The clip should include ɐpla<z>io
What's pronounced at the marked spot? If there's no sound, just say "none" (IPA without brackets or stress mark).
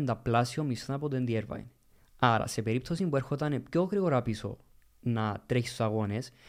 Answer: s